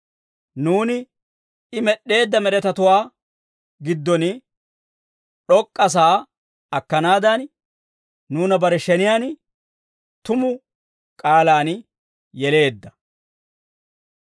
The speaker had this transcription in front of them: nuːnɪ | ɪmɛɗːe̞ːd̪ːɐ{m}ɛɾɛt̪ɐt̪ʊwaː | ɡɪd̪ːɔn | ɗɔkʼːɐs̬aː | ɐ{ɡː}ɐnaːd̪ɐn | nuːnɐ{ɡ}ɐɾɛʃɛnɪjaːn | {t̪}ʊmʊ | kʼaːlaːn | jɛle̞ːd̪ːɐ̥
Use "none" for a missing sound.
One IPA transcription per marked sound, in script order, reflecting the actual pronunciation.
m, kː, b, t̪

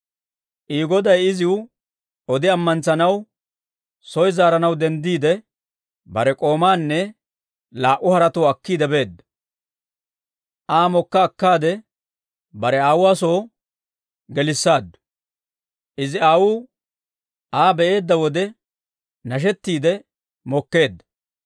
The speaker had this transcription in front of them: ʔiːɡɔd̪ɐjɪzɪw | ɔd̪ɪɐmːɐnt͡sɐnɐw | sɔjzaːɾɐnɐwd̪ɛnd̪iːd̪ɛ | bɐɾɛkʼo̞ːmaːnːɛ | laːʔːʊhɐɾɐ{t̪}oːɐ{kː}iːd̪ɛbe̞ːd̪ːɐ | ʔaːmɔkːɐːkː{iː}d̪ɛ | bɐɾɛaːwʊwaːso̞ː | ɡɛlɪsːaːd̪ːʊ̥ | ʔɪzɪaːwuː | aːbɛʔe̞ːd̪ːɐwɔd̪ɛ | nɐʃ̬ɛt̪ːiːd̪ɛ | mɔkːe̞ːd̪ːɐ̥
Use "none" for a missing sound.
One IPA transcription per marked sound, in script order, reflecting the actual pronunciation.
t̪, kː, aː

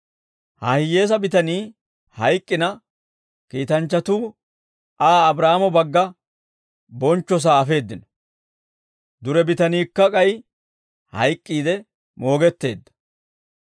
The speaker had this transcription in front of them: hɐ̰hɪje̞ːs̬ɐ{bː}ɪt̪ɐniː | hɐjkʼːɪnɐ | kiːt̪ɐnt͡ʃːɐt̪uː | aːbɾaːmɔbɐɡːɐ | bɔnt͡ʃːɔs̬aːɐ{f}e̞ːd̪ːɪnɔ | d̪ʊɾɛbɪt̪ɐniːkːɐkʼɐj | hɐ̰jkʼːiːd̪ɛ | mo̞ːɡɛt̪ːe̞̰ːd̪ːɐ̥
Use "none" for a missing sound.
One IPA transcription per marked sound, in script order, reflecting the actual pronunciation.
b, f

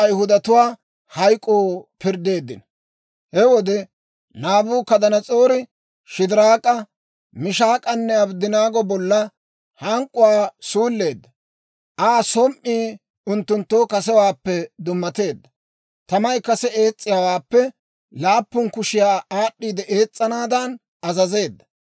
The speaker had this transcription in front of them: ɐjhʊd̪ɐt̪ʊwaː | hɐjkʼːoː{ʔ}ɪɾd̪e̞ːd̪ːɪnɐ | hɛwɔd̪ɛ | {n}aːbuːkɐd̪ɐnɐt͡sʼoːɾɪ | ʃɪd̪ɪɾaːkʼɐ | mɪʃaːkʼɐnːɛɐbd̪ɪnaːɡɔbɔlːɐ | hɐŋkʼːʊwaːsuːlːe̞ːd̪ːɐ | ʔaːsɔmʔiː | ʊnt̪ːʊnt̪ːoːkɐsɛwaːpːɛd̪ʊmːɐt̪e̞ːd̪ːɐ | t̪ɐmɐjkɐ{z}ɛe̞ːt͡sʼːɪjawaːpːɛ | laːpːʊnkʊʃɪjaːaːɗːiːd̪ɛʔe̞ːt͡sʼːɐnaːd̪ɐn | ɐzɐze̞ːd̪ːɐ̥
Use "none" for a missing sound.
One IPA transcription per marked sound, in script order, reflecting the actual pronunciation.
p, n, s

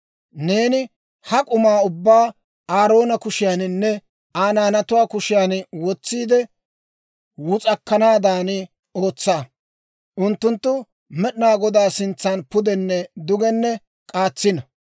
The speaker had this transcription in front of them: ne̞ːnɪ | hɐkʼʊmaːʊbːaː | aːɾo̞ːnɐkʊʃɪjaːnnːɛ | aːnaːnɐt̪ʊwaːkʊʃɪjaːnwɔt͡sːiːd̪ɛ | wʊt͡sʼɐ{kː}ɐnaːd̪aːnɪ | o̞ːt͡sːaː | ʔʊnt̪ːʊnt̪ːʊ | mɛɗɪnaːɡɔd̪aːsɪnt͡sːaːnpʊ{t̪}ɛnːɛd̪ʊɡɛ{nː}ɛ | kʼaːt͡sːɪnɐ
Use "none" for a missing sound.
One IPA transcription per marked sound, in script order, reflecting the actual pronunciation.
kː, d̪, nː

